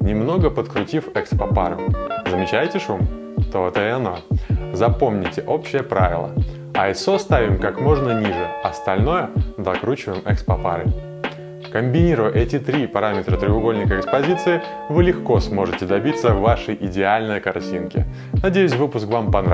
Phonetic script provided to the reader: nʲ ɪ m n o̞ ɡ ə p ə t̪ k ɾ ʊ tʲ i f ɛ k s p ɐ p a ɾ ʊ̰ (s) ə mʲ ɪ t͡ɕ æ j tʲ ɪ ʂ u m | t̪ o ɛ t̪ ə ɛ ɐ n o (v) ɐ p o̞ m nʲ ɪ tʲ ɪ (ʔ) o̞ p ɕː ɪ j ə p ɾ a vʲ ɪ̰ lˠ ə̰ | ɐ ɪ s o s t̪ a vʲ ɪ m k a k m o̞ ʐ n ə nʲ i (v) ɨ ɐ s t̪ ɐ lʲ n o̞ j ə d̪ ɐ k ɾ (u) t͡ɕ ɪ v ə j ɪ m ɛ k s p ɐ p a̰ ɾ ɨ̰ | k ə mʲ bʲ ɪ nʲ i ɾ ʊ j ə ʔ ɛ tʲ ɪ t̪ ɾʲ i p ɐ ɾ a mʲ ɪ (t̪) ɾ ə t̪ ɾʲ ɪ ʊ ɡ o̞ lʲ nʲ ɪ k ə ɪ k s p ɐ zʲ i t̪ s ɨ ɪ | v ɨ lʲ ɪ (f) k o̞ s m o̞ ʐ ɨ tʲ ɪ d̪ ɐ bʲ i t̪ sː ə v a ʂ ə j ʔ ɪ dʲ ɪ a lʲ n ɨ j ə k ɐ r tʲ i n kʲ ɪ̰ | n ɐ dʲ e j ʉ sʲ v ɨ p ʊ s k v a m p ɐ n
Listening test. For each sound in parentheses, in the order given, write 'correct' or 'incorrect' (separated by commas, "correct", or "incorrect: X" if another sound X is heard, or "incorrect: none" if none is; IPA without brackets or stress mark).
incorrect: z, incorrect: z, correct, incorrect: ʐ, correct, correct, incorrect: x